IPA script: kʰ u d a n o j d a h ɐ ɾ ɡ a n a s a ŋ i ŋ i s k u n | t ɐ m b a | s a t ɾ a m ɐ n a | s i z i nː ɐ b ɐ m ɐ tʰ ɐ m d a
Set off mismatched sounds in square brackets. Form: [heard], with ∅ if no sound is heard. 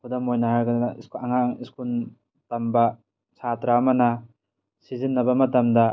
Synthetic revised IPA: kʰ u d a [m] o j [n] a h [a] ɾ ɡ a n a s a ŋ [a] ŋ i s k u n | t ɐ m b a | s a t ɾ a m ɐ n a | s i z i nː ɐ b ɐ m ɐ [t] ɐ m d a